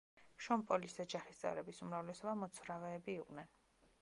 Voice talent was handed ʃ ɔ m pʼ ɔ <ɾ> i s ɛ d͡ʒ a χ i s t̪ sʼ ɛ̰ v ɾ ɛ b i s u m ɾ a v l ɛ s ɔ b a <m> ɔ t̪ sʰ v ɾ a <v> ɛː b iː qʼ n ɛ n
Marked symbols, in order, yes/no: no, yes, yes

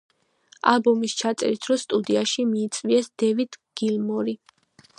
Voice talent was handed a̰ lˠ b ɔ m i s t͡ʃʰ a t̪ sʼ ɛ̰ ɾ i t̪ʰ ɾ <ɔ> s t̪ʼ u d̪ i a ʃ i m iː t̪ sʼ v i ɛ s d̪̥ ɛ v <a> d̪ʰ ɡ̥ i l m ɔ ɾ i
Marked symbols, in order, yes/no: yes, no

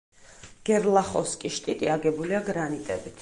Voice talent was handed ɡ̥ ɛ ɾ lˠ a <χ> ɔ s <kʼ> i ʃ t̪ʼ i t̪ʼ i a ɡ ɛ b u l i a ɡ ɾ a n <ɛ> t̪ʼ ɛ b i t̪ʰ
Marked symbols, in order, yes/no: yes, yes, no

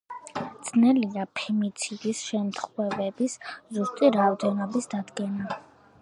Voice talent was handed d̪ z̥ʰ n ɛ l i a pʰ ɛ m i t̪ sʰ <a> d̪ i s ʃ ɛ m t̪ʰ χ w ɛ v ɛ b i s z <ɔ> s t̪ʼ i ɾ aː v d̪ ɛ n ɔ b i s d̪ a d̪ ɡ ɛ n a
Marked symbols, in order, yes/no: no, no

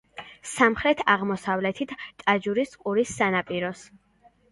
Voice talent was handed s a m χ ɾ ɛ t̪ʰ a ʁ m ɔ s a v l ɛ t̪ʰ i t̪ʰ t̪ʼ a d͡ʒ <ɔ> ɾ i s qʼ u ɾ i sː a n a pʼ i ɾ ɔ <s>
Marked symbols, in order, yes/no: no, yes

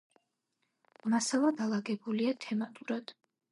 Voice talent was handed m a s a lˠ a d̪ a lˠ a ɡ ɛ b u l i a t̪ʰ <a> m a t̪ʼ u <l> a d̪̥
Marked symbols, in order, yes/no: no, no

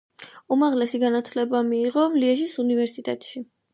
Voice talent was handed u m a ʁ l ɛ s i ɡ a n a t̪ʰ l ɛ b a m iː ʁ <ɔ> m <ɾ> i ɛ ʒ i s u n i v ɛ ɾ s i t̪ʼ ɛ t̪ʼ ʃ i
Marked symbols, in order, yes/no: yes, no

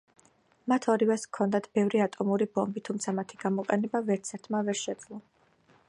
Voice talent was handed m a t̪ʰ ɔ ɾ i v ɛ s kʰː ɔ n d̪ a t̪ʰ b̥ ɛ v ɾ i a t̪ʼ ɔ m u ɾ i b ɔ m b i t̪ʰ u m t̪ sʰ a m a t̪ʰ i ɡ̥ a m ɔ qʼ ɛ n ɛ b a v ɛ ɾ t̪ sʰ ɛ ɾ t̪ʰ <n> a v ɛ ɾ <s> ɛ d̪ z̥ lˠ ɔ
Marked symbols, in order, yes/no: no, no

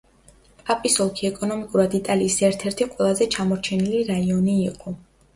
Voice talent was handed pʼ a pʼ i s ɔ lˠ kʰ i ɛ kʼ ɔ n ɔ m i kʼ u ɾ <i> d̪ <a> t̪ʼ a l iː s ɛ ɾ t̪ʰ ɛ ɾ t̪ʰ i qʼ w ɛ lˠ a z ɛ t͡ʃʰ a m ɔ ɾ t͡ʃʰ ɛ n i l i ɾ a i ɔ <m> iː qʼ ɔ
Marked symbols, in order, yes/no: no, no, no

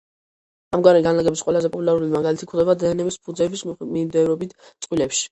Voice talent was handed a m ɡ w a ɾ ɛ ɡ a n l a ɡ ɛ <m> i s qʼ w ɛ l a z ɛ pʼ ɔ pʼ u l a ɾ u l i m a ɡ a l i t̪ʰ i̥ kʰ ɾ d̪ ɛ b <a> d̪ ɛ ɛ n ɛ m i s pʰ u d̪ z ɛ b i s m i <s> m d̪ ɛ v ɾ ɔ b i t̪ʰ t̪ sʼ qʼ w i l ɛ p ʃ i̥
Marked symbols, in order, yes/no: no, yes, no

